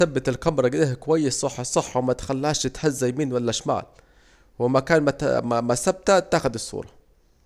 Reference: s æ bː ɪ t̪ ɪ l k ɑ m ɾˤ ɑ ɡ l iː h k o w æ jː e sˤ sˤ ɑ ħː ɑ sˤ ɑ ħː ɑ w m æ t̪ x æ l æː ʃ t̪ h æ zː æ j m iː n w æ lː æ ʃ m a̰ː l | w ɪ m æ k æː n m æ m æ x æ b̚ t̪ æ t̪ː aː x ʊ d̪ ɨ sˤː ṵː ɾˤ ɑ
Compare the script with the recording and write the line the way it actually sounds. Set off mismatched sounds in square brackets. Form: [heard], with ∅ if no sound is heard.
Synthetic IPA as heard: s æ bː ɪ t̪ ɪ l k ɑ m ɾˤ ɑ ɡ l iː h k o w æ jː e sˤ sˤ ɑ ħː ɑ sˤ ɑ ħː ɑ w m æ t̪ x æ [lː] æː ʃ t̪ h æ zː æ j m iː n w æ lː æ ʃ m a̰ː l | w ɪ m æ k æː n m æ m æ [s] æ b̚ t̪ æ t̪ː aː x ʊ d̪ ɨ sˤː ṵː ɾˤ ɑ